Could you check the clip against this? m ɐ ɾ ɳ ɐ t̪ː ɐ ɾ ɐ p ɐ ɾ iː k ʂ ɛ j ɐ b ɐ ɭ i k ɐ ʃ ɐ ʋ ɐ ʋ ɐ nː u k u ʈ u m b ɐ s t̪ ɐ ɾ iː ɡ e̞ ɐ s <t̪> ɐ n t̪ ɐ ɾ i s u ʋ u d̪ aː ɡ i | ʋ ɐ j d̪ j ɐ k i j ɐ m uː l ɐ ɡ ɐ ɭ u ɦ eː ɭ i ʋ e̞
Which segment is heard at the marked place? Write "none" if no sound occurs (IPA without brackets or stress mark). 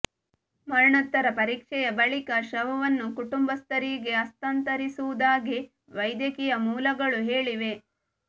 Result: t̪